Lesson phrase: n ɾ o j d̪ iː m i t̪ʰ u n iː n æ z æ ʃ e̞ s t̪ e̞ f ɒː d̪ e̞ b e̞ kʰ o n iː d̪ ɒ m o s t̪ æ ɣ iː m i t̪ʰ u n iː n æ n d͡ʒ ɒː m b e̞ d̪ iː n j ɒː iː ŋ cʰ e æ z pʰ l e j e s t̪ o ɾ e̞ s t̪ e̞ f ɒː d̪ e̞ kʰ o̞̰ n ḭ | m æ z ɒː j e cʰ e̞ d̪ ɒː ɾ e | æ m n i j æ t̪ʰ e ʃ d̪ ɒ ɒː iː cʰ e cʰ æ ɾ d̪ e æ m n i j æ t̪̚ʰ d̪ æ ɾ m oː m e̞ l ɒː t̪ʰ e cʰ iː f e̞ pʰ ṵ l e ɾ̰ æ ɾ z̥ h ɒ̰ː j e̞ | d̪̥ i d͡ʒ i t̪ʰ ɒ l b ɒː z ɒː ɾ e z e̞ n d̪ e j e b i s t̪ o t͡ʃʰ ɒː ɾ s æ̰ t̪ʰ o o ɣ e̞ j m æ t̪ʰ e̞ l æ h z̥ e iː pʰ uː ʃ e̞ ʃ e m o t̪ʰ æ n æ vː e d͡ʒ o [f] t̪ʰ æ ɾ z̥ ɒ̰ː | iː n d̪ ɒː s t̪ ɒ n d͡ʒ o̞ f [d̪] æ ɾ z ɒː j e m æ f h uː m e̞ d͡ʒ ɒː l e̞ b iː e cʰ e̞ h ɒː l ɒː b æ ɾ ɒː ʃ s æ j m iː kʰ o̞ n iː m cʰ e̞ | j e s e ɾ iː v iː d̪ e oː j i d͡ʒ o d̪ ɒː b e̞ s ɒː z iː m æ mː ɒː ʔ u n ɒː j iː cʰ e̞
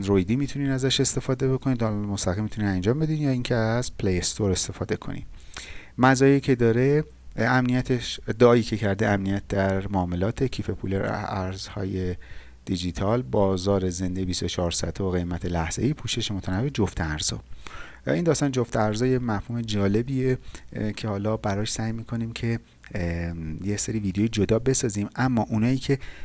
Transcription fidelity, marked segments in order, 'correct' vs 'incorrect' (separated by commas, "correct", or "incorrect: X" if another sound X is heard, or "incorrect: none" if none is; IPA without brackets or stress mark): correct, incorrect: t̪